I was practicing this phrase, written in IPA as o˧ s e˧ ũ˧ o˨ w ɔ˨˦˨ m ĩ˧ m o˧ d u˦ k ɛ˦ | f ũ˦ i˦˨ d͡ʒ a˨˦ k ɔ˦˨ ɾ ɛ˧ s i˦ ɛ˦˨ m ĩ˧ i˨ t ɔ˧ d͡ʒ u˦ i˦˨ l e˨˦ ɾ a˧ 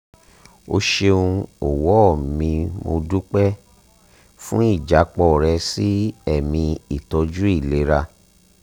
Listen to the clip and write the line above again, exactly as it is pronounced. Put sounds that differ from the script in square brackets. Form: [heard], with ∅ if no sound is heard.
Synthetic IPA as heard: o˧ [ʃ] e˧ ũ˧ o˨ w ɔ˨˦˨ m ĩ˧ m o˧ d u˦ [k͡p] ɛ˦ | f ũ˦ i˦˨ d͡ʒ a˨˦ [k͡p] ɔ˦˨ ɾ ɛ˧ s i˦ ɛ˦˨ m ĩ˧ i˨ t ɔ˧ d͡ʒ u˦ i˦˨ l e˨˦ ɾ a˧

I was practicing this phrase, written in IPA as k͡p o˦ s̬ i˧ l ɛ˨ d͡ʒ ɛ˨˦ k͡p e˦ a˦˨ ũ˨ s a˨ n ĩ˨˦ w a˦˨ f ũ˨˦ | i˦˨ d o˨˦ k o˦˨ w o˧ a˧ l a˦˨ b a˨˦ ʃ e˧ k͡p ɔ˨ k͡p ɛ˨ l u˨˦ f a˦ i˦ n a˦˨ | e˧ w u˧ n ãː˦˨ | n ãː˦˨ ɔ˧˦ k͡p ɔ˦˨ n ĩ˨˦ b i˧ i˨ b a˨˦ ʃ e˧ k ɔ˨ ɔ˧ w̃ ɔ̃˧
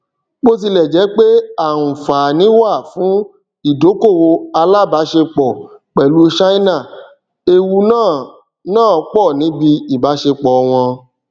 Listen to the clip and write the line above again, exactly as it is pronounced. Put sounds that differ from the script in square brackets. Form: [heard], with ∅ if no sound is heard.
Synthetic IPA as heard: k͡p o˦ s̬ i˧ l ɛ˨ d͡ʒ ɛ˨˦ k͡p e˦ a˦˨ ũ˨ [f] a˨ n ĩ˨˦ w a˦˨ f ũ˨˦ | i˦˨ d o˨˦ k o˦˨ w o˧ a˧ l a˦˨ b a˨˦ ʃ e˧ k͡p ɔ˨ k͡p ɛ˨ l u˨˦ [ʃ] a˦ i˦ n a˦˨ | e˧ w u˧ n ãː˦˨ | n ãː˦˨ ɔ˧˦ k͡p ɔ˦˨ n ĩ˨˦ b i˧ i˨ b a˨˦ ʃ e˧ [k͡p] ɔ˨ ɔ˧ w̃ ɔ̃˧

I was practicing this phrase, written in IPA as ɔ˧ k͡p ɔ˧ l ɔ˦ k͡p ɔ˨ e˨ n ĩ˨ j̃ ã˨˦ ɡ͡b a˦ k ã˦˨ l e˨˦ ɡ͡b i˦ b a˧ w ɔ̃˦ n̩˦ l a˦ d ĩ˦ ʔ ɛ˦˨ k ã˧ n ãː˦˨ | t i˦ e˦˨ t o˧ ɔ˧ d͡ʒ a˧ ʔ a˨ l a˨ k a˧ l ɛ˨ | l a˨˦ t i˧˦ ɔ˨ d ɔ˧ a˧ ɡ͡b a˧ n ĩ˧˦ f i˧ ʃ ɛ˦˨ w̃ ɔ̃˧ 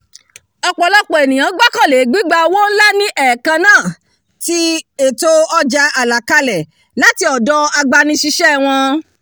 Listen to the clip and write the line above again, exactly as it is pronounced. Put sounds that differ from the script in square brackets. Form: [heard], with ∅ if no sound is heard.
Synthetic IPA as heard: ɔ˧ k͡p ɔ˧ l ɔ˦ k͡p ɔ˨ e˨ n ĩ˨ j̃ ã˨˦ ɡ͡b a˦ k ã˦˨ l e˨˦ ɡ͡b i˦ [ɡ͡b] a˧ w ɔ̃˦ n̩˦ l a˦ [n] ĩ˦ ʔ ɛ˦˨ k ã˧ n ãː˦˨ | t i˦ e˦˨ t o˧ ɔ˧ d͡ʒ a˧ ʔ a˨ l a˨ k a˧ l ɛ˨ | l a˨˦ t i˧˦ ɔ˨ d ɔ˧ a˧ ɡ͡b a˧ n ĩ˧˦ [ʃ] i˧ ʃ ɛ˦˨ w̃ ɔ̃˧

